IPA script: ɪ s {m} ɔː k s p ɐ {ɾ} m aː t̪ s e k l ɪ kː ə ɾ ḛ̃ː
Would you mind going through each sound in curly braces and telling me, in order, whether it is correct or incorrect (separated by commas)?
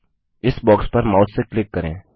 incorrect, correct